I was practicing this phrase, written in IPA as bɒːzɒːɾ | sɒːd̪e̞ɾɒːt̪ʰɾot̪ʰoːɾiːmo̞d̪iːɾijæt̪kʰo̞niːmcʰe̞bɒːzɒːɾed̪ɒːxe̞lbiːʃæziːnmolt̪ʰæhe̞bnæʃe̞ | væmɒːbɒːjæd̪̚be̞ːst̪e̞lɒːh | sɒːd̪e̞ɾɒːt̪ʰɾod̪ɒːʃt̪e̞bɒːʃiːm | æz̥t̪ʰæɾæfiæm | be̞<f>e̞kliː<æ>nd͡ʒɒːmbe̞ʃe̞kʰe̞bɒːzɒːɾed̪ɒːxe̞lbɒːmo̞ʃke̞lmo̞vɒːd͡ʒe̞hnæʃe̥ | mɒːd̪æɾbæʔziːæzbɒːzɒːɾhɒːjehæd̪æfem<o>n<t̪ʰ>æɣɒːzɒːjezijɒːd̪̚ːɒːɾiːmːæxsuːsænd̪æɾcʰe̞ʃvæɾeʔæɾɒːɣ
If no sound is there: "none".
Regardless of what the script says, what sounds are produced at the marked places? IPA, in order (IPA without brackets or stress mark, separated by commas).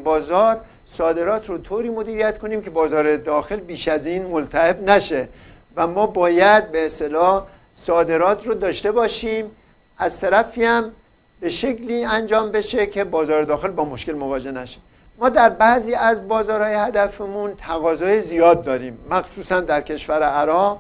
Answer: ʃ, æ, u, t̪ʰ